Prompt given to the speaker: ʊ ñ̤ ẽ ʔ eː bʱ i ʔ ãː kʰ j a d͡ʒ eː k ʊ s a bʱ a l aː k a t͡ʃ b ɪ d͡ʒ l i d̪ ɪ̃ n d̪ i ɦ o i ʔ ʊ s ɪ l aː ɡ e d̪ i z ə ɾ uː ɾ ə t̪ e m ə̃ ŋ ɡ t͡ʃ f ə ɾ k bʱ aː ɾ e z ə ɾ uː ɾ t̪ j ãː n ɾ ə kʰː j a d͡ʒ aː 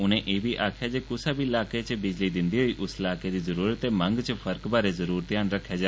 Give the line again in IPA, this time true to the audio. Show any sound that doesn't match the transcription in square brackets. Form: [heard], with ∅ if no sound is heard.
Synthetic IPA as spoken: ʊ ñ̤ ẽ ʔ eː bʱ i ʔ [aː] kʰ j a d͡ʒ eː k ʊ s a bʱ [i] l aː k [e] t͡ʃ b ɪ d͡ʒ l i d̪ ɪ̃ n d̪ i ɦ o i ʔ ʊ s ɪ l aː [k] e d̪ i z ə ɾ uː ɾ ə t̪ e m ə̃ ŋ ɡ t͡ʃ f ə ɾ k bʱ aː ɾ e z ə ɾ uː ɾ t̪ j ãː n ɾ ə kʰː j a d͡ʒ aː